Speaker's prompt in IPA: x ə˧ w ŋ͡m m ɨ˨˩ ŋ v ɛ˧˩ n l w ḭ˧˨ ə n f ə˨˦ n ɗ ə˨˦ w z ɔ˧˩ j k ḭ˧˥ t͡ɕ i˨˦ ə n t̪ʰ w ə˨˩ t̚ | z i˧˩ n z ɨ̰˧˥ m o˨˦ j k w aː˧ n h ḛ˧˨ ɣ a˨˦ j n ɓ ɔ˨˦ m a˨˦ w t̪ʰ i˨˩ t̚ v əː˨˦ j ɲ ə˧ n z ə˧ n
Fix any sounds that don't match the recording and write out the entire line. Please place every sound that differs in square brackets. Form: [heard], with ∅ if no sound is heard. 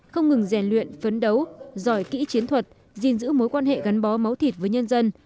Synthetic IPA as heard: x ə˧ w ŋ͡m [ŋ] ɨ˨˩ ŋ [z] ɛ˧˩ n l w ḭ˧˨ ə n f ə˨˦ n ɗ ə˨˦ w z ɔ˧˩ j k ḭ˧˥ t͡ɕ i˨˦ ə n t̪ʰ w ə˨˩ t̚ | z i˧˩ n z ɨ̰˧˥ m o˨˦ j k w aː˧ n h ḛ˧˨ ɣ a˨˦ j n ɓ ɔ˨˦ m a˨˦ w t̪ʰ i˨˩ t̚ v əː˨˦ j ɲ ə˧ n z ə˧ n